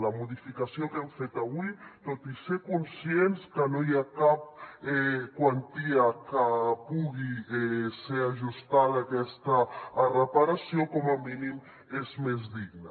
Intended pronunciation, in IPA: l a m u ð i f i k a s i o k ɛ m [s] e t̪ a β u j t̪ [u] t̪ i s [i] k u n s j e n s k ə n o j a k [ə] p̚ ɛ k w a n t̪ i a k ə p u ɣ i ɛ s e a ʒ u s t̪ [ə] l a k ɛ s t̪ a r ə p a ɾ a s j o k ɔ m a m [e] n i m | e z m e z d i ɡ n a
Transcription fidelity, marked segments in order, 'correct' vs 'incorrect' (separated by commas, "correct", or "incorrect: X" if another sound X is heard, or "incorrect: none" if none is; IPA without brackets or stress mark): incorrect: f, incorrect: o, incorrect: e, incorrect: a, incorrect: a, incorrect: i